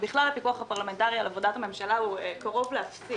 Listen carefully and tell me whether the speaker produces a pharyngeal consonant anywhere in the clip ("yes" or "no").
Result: no